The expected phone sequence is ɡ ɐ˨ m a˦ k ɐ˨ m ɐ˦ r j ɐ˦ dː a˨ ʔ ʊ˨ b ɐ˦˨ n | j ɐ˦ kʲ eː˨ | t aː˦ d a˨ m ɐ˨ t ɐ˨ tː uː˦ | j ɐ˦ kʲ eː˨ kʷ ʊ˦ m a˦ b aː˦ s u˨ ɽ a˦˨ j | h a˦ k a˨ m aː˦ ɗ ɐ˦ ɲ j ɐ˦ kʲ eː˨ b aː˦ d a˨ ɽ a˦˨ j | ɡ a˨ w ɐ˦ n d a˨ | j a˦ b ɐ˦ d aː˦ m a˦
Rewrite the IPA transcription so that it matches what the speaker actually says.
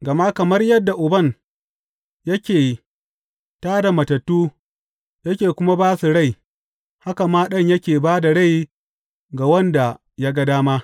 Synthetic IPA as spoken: ɡ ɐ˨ m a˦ k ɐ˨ m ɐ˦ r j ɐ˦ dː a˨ ʔ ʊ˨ b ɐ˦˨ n | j ɐ˦ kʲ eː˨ | t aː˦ d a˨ m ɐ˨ t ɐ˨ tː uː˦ | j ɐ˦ kʲ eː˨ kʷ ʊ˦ m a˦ b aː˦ s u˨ ɽ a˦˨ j | h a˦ k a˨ m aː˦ ɗ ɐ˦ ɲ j ɐ˦ kʲ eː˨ b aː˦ d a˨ ɽ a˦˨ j | ɡ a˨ w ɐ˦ n d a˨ | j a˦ ɡ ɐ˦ d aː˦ m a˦